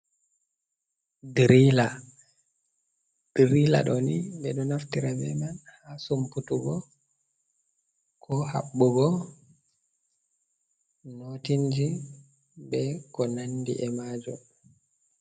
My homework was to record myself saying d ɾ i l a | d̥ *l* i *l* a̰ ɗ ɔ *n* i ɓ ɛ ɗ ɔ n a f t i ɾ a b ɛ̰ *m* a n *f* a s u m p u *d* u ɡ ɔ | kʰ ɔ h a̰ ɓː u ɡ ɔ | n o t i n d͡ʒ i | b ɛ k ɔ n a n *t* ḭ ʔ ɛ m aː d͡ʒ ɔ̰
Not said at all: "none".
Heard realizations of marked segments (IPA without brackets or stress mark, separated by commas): ɾ, l, n, m, h, t, d